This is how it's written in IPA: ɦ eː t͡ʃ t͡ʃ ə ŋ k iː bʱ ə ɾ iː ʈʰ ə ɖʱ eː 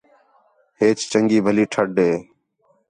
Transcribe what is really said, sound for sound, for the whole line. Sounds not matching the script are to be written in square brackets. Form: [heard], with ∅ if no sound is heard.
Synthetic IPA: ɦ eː t͡ʃ t͡ʃ ə ŋ [ɡ] iː bʱ ə [l] iː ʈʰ ə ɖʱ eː